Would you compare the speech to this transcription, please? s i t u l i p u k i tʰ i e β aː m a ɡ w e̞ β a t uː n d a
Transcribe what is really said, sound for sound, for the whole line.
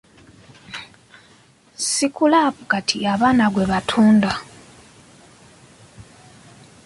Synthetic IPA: s i k u l a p u k a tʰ i a β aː n a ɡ w e̞ β a tʰ uː n d a